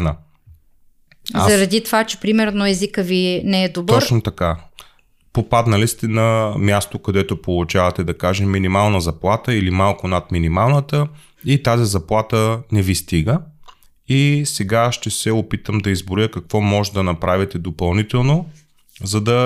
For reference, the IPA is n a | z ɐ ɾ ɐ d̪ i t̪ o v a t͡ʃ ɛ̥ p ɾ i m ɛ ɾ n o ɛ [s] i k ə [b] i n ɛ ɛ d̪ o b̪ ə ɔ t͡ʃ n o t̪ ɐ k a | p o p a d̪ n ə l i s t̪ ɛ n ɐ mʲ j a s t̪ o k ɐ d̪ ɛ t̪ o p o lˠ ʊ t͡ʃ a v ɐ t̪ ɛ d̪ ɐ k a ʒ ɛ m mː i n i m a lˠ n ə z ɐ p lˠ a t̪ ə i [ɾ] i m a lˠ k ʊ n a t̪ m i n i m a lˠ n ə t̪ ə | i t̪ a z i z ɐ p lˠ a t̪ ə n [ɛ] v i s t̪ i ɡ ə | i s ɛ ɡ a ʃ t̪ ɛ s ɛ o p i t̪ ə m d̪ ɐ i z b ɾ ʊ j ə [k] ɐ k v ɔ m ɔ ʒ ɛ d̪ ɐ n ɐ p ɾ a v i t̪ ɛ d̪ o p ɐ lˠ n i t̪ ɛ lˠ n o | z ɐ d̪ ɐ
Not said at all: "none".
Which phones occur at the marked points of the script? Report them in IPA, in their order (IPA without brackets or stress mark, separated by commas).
z, v, l, ɛ, k